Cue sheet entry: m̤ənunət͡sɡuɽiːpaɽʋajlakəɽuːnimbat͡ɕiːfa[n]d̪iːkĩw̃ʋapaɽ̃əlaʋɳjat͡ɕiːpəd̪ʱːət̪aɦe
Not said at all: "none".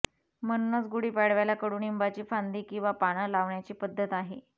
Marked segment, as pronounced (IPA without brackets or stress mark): n